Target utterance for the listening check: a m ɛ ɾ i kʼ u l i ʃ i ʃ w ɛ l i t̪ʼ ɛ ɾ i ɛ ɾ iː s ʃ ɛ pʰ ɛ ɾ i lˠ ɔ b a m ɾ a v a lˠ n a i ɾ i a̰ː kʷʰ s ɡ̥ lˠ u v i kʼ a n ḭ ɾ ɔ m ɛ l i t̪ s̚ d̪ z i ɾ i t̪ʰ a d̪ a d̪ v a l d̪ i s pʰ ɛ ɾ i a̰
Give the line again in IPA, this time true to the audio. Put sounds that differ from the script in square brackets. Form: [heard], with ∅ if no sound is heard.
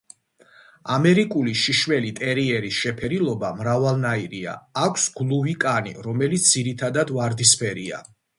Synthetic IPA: a m ɛ ɾ i kʼ u l i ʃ i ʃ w ɛ l i t̪ʼ ɛ ɾ i ɛ ɾ [i] s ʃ ɛ pʰ ɛ ɾ i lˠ ɔ b a m ɾ a v a lˠ n a i ɾ i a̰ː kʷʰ s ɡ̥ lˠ u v i kʼ a n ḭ ɾ ɔ m ɛ l i t̪ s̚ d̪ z i ɾ i t̪ʰ a d̪ a d̪ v a [ɾ] d̪ i s pʰ ɛ ɾ i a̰